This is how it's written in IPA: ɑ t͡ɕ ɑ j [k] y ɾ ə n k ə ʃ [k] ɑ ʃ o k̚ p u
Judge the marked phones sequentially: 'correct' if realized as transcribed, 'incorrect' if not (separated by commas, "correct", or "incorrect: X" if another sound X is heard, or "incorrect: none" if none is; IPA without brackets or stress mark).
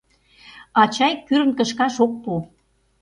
correct, correct